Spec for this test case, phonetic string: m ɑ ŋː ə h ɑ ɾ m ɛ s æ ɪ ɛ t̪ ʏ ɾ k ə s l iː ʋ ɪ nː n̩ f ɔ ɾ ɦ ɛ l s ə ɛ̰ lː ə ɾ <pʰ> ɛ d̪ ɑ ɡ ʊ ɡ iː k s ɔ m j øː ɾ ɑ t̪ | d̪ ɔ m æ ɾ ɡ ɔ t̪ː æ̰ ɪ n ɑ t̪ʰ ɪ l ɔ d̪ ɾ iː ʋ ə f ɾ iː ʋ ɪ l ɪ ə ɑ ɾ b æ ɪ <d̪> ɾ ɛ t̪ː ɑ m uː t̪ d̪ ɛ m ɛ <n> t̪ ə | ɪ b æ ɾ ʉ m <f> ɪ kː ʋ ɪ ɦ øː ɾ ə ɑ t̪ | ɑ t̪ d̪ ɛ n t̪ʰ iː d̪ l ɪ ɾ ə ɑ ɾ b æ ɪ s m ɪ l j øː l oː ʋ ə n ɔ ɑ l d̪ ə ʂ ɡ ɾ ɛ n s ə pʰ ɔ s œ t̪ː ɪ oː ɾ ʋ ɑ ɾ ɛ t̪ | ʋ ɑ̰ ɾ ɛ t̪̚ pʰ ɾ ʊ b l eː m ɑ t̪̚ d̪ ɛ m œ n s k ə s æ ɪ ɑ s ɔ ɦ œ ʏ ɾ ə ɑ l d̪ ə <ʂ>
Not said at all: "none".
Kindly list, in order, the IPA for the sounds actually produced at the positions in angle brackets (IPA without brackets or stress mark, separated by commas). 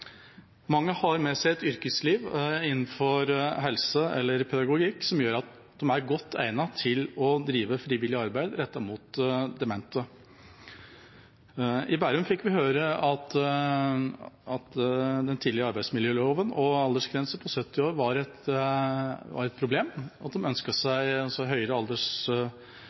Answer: pʰ, d̪, n, f, ʂ